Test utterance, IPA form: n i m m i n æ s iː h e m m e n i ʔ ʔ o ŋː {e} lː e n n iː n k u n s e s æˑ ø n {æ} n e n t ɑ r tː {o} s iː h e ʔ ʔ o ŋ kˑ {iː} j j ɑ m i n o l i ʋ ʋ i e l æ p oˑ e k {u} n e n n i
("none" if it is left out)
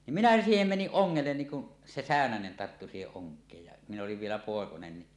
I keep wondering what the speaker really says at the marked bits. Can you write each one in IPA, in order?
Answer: e, æ, u, eː, o

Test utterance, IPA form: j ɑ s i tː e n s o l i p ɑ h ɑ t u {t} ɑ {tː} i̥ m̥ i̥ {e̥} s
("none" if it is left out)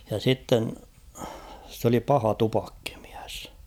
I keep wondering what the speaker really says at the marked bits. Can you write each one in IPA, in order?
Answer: p, kː, æ̥

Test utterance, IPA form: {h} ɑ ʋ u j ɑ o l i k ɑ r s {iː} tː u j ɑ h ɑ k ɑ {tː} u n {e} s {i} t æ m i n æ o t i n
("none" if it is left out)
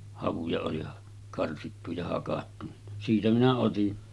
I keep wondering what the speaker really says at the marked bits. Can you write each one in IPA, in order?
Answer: h, i, tː, i, iː

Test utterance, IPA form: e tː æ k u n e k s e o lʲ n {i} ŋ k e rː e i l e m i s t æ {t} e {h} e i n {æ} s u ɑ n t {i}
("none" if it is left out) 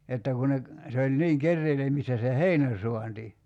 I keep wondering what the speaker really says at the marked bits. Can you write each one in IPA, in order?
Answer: iː, s, h, æ, i

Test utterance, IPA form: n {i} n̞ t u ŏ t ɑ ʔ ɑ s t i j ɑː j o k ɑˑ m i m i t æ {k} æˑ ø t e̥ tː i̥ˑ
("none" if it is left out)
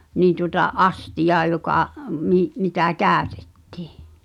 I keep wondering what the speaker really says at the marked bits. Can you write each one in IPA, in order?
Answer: iː, k

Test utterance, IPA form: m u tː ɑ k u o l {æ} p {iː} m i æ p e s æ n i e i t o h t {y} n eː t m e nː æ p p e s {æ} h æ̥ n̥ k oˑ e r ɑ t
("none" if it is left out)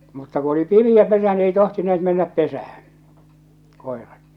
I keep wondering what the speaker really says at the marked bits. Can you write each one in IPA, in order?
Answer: i, i, i, æ

